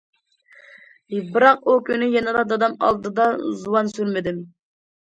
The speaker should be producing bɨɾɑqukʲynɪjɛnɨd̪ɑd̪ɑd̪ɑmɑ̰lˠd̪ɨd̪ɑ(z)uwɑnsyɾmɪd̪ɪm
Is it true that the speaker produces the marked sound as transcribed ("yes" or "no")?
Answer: yes